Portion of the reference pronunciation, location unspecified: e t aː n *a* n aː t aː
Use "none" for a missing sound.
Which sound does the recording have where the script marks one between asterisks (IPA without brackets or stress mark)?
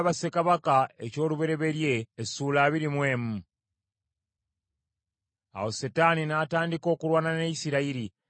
i